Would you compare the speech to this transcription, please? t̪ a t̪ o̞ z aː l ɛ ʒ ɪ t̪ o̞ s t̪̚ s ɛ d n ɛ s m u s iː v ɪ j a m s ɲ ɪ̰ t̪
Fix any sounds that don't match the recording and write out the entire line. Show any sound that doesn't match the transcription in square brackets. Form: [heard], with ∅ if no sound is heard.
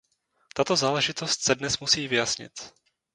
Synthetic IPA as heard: t̪ a t̪ o̞ z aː l ɛ ʒ ɪ t̪ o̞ s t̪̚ s ɛ d n ɛ s m u s iː v ɪ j a [∅] s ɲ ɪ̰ t̪